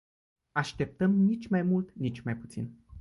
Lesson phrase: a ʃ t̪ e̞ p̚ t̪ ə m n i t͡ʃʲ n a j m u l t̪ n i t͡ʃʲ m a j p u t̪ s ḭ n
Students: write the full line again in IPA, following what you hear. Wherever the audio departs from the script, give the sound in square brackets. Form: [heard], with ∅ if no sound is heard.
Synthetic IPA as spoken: a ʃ t̪ e̞ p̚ t̪ ə m n i t͡ʃʲ [m] a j m u l t̪ n i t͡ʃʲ m a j p u t̪ s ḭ n

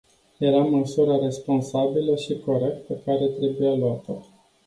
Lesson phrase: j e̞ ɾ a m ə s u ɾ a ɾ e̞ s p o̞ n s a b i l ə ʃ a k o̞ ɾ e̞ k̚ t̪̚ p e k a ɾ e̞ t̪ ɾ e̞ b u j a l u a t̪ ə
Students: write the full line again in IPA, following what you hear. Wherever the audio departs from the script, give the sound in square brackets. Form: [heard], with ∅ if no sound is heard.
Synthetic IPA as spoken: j e̞ ɾ a m ə s u ɾ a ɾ e̞ s p o̞ n s a b i l ə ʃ [i] k o̞ ɾ e̞ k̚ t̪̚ p e k a ɾ e̞ t̪ ɾ e̞ b u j a l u a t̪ ə

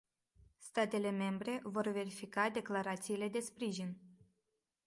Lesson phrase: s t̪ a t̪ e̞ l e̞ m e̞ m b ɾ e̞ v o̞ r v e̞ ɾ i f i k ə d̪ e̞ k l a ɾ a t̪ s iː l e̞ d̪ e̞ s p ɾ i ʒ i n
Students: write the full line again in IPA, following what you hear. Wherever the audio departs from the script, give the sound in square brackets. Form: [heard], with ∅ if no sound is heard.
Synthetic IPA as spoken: s t̪ a t̪ e̞ l e̞ m e̞ m b ɾ e̞ v o̞ r v e̞ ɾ i f i k [a] d̪ e̞ k l a ɾ a t̪ s iː l e̞ d̪ e̞ s p ɾ i ʒ i n

